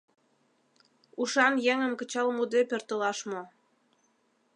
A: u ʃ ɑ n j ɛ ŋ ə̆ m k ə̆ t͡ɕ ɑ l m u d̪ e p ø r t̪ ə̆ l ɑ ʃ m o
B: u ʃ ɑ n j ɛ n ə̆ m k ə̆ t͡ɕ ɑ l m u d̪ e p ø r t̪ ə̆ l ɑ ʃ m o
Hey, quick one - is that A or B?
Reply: A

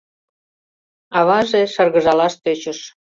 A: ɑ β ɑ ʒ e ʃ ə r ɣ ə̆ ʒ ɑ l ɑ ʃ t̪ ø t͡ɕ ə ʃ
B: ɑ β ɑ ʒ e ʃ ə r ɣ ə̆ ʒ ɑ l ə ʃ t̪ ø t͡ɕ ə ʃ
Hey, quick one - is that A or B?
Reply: A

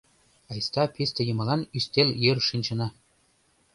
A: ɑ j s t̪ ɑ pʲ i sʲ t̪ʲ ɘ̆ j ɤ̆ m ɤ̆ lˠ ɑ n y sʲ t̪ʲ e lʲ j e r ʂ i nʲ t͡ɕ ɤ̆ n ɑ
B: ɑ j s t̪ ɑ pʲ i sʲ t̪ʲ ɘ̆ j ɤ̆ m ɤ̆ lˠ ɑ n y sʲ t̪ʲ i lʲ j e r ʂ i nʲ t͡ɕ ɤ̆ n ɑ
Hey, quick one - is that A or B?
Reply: A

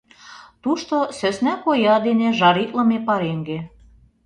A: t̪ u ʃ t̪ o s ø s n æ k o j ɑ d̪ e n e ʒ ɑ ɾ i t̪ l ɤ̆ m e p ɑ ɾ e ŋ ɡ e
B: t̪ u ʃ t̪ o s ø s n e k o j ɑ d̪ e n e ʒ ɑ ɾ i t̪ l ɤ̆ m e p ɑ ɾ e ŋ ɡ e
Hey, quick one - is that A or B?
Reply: A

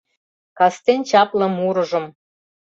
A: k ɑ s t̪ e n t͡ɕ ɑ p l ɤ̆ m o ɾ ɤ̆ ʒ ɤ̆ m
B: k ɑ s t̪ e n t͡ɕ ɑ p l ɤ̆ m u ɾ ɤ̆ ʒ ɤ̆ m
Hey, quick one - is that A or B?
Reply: B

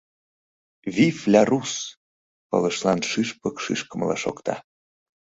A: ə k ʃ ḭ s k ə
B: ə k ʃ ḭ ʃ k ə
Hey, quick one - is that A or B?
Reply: B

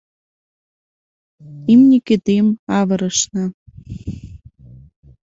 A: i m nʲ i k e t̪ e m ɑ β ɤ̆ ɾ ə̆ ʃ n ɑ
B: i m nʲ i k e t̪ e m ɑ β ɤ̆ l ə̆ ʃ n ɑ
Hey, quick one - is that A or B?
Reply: A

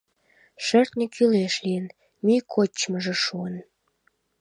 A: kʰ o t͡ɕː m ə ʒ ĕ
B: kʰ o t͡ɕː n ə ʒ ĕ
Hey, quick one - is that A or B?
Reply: A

